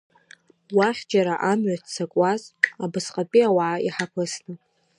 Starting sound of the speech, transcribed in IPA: w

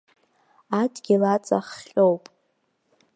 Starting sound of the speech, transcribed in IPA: a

